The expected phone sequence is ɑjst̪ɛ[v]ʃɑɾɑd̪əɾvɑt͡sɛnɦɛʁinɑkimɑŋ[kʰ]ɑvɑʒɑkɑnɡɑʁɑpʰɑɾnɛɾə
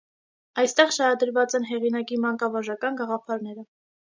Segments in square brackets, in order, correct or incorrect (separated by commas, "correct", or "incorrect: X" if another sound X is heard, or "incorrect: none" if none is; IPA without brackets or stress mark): incorrect: ʁ, incorrect: k